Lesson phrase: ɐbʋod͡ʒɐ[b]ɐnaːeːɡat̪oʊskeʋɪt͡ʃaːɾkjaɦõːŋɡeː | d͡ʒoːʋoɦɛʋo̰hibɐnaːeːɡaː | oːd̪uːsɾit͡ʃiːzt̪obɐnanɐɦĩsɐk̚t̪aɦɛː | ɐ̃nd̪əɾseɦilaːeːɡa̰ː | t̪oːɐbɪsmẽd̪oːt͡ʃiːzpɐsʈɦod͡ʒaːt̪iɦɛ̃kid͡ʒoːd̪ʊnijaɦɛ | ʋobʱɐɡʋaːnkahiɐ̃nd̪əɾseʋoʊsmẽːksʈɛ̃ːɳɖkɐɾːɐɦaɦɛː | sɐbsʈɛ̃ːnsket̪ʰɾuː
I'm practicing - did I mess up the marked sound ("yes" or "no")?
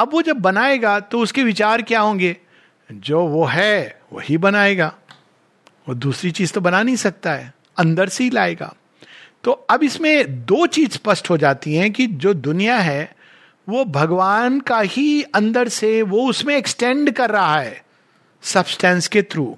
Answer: yes